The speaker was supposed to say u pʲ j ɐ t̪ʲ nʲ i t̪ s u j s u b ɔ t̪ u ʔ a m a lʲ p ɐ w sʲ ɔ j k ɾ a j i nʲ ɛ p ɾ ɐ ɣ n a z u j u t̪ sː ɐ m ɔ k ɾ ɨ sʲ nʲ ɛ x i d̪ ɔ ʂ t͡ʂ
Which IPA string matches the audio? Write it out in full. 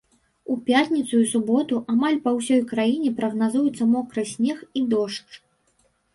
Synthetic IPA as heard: u pʲ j a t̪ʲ nʲ i t̪ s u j s u b ɔ t̪ u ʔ a m a lʲ p ɐ w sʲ ɔ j k ɾ a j i nʲ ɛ p ɾ ɐ ɣ n a z u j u t̪ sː ɐ m ɔ k ɾ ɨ sʲ nʲ ɛ x i d̪ ɔ ʂ t͡ʂ